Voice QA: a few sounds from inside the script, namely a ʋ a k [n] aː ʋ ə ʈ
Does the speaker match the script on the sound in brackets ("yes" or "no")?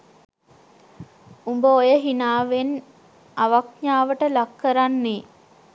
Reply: no